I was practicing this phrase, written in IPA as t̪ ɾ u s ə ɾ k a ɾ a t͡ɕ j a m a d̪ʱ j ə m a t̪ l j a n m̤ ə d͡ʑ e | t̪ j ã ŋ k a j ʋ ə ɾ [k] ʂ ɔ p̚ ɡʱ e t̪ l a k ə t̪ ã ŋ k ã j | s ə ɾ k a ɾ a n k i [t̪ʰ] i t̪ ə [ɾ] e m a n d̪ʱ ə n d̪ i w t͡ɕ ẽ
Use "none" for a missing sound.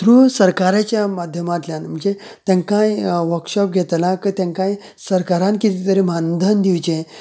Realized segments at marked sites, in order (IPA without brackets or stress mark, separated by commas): k, t̪, ɾ